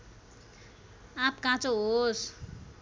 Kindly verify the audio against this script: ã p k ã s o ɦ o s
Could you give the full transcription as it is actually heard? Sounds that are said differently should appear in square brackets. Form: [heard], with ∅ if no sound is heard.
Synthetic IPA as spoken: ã p k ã [t͡s] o ɦ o s